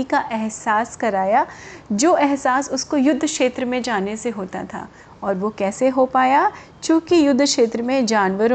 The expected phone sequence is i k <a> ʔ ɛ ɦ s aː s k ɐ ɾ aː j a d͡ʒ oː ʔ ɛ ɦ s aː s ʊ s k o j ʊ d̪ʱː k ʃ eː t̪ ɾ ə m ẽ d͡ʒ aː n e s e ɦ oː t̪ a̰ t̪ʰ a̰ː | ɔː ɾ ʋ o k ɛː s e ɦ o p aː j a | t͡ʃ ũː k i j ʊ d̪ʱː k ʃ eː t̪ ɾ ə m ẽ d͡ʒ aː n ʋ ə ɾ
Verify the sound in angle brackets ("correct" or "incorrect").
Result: correct